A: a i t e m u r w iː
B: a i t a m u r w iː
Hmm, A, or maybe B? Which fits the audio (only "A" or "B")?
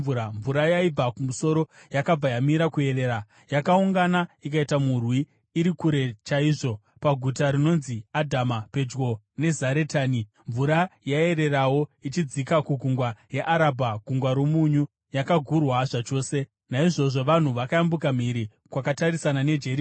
B